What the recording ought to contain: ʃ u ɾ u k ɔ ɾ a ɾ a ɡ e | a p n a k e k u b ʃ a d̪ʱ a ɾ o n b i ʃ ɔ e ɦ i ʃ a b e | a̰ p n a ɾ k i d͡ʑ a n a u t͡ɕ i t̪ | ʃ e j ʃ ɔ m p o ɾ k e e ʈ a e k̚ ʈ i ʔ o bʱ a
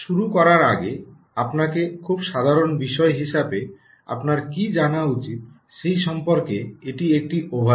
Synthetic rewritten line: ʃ u ɾ u k ɔ ɾ a ɾ a ɡ e | a p n a k e kʰ u b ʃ a d̪ʱ a ɾ o n b i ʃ ɔ e ɦ i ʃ a b e | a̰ p n a ɾ k i d͡ʑ a n a u t͡ɕ i t̪ | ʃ e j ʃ ɔ m p o ɾ k e e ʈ i e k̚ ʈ i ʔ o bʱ a

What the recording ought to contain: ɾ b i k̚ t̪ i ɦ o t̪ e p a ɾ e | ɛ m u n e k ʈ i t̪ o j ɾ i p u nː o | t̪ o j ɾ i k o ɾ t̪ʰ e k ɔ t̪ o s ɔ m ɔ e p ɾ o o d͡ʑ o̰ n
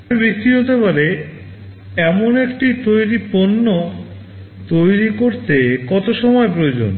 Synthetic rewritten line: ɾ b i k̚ t̪ i ɦ o t̪ e p a ɾ e | ɛ m o n e k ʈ i t̪ o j ɾ i p o nː o | t̪ o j ɾ i k o ɾ t̪ e k ɔ t̪ o ʃ ɔ m ɔ e p ɾ o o d͡ʑ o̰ n

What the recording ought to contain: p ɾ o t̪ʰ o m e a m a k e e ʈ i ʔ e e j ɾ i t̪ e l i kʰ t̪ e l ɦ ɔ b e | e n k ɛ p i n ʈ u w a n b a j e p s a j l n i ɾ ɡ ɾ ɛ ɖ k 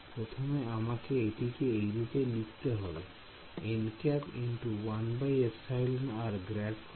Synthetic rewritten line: p ɾ o t̪ʰ o m e a m a k e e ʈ i k e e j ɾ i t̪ e l i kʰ t̪ e ɦ ɔ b e | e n k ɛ p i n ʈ u w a n b a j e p s a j l n a ɾ ɡ ɾ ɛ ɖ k

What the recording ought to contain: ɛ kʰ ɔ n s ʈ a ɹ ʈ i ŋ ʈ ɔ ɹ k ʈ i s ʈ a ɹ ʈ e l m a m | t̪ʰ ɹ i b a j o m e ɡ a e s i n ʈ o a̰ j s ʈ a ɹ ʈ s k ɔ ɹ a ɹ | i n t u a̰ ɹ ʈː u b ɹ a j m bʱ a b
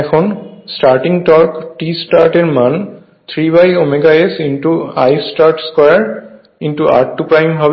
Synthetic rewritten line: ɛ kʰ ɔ n s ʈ a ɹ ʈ i ŋ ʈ ɔ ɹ k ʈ i s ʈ a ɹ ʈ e ɹ m a n | t̪ʰ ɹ i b a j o m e ɡ a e s i n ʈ u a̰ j s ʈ a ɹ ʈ s k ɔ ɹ a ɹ | i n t u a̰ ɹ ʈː u p ɹ a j m bʱ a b

